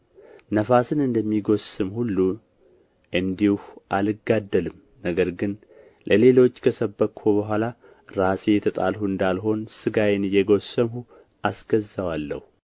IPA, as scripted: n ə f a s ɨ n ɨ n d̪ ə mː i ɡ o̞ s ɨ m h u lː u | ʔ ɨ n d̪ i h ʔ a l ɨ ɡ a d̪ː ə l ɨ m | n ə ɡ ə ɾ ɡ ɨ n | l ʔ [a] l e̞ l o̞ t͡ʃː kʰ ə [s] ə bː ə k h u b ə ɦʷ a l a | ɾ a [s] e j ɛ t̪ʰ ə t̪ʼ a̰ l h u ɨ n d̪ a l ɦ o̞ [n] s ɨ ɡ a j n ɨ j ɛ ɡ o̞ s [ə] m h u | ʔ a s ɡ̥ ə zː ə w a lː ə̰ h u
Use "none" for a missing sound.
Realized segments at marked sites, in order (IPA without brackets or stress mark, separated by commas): ə, s, s, n, ə